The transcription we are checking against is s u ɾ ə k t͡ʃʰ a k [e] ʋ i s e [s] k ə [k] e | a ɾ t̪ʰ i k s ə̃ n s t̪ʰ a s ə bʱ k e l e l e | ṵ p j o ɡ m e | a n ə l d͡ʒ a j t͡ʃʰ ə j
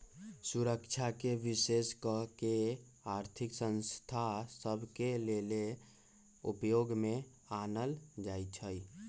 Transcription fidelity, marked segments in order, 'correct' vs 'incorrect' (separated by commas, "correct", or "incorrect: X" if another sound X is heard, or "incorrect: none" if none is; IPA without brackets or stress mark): correct, correct, correct